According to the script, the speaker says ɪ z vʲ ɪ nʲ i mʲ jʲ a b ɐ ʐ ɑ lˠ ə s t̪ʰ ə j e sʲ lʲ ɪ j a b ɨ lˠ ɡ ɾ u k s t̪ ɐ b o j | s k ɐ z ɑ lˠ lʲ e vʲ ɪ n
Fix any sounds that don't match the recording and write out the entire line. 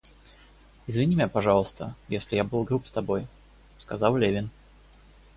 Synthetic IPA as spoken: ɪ z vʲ ɪ nʲ i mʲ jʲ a p ɐ ʐ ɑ lˠ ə s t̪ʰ ə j e sʲ lʲ ɪ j a b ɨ lˠ ɡ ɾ u p s t̪ ɐ b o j | s k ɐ z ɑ lˠ lʲ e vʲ ɪ n